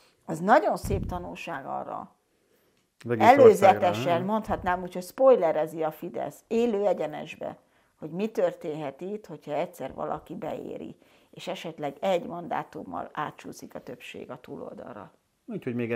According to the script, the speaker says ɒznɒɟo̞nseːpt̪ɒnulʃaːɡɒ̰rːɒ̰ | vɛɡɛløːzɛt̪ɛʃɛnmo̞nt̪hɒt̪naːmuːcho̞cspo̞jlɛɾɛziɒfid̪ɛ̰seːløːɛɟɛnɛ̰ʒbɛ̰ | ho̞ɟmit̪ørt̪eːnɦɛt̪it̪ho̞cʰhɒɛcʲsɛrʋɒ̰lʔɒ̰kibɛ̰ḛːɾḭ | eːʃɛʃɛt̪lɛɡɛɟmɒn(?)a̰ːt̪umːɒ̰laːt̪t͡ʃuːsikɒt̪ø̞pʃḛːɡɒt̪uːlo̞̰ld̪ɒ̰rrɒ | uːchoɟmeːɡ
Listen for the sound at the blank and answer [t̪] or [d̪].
d̪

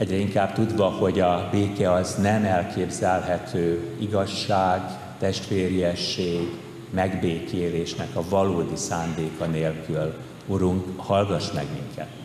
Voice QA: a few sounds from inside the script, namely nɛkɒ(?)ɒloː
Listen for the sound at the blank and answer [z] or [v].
v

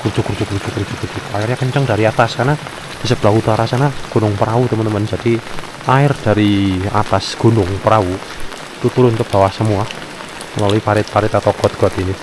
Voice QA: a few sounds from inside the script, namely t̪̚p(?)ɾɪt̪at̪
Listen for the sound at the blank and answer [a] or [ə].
a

